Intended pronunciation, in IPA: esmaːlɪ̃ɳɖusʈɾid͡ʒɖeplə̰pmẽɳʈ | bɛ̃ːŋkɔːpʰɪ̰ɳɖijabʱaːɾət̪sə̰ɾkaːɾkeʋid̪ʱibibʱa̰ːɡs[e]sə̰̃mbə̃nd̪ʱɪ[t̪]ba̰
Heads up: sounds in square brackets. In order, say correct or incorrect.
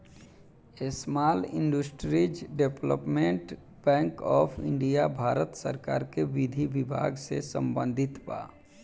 correct, correct

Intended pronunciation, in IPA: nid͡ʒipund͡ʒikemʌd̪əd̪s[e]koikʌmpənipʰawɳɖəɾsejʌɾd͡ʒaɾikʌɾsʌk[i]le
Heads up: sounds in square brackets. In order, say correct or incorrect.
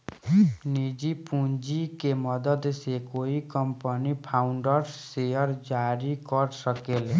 correct, incorrect: e

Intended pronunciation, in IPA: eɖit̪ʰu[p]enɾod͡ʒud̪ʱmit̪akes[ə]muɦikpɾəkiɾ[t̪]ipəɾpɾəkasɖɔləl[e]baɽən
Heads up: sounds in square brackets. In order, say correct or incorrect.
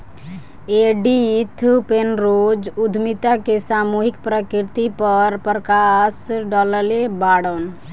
correct, incorrect: a, correct, correct

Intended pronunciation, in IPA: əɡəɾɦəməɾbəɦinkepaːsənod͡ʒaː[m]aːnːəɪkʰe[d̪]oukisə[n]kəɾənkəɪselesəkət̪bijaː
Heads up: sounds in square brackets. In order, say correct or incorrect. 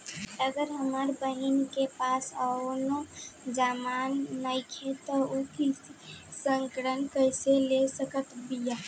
correct, incorrect: t̪, incorrect: ŋ

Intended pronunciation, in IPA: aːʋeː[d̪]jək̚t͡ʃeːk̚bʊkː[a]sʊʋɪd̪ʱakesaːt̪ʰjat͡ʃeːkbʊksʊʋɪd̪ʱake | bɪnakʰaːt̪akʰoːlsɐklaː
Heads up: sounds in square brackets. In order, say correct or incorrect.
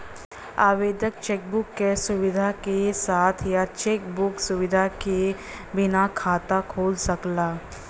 correct, incorrect: e

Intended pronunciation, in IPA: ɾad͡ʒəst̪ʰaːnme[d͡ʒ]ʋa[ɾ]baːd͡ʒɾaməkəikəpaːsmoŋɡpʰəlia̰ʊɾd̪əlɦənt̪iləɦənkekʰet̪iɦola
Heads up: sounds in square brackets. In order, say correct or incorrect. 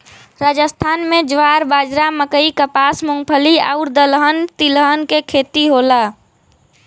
correct, correct

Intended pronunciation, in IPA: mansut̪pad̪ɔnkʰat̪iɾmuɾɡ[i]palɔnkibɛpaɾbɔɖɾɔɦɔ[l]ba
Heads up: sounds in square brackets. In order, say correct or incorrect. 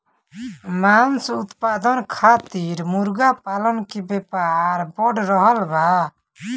incorrect: a, correct

